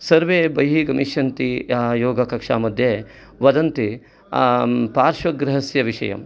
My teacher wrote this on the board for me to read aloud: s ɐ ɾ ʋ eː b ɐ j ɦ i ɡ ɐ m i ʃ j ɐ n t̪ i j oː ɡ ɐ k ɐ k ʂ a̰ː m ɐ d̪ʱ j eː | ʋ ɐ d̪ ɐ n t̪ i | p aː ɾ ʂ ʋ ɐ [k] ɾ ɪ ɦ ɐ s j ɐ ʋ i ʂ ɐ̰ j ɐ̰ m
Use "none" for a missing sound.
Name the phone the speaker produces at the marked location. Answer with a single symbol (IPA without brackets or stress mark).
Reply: ɡ